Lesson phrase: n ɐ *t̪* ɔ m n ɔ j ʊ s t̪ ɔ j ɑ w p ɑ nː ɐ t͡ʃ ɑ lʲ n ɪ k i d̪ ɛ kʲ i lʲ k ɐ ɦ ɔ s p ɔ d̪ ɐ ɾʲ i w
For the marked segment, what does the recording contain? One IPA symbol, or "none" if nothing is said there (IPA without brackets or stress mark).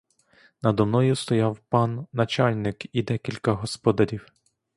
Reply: d̪